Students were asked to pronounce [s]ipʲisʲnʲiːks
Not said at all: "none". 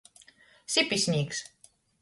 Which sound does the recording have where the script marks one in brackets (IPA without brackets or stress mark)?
s